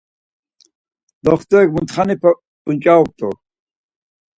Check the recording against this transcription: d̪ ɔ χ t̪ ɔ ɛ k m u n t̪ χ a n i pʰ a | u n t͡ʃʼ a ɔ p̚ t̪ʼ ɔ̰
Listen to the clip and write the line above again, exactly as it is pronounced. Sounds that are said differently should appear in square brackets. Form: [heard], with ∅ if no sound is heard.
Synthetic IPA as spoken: d̪ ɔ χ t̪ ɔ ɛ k m u n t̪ χ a n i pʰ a | u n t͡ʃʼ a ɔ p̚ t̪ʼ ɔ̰